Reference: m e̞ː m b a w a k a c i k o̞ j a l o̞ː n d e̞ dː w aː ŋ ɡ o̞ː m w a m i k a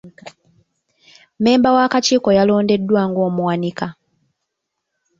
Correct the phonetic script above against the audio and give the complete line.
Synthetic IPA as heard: m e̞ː m b a w a k a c iː k o̞ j a l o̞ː n d e̞ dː w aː ŋ ɡ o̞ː m w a n i k a

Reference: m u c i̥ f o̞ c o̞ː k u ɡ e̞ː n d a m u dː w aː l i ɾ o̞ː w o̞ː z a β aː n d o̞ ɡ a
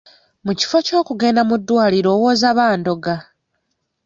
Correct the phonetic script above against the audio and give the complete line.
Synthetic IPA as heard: m u c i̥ f o̞ c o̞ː k u ɡ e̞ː n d a m u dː w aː l i ɾ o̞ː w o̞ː z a β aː n d o̞ ɡ a

